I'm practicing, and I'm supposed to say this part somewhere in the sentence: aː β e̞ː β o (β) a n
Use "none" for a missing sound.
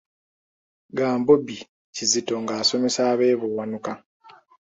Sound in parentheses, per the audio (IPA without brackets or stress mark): w